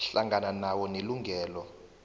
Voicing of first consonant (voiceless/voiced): voiceless